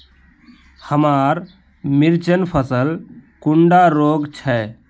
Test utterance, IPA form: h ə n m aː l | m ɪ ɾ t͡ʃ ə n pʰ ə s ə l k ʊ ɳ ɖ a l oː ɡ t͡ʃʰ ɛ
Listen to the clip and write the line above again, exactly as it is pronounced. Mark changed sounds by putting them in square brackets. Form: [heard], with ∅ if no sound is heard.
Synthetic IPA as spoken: h ə [∅] m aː [ɾ] | m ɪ ɾ t͡ʃ ə n pʰ ə s ə l k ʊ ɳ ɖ a [ɾ] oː ɡ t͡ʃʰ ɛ